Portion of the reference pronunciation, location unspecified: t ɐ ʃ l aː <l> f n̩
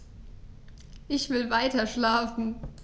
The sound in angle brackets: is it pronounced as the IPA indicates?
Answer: no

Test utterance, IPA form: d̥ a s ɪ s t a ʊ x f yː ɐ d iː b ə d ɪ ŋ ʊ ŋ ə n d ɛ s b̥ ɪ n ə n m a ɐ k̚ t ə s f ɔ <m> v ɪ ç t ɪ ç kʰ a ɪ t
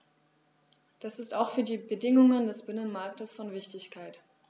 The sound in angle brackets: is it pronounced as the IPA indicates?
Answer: no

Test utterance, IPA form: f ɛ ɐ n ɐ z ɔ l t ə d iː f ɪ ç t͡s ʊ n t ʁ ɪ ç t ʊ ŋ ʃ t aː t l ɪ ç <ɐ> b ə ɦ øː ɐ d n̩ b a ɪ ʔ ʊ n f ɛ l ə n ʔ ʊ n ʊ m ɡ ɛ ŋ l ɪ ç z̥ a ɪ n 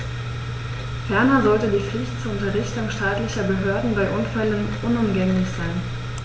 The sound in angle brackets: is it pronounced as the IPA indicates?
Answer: yes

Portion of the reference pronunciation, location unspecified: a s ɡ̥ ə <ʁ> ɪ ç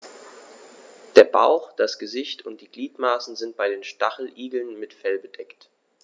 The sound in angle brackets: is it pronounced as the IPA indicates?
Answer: no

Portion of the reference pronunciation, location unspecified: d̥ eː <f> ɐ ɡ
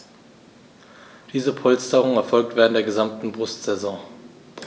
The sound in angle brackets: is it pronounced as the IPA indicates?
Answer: no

